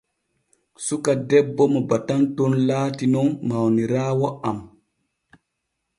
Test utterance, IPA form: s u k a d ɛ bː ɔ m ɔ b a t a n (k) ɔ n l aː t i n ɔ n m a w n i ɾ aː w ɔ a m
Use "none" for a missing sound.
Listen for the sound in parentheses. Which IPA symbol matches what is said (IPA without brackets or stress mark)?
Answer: t